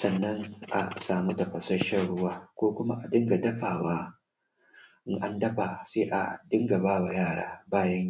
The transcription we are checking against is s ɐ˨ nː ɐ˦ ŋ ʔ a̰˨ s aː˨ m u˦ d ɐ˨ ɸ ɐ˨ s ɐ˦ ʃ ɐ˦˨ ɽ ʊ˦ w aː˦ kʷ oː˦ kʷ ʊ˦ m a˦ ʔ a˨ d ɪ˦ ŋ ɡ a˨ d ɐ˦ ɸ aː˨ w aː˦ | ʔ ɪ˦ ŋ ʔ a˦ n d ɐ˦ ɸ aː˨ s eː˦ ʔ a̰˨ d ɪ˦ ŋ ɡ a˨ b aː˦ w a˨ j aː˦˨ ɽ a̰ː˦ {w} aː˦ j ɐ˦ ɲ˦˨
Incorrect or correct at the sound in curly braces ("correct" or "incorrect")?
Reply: incorrect